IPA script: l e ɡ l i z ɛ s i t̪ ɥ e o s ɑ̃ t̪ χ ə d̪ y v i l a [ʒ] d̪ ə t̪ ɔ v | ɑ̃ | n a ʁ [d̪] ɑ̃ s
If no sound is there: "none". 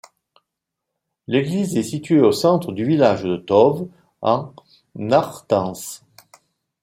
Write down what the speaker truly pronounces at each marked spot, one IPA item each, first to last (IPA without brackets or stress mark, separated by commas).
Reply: ʒ, t̪